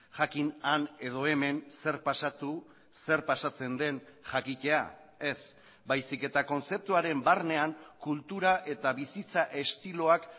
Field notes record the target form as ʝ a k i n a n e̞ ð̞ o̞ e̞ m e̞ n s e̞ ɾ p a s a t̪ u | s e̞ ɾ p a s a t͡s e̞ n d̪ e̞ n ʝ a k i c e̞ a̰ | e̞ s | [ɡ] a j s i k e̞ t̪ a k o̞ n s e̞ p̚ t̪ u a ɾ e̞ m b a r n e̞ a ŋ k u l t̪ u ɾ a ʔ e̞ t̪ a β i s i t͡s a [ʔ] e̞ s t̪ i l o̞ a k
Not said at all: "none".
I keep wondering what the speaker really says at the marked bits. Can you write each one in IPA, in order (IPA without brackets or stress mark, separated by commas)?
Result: b, ʔ